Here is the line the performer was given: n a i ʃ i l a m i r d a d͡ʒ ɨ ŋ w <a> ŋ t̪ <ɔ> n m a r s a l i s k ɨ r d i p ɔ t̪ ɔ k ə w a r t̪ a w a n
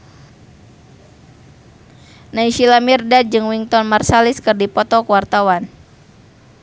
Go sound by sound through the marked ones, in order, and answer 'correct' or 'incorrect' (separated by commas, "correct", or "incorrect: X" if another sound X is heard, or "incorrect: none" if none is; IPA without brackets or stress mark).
incorrect: i, correct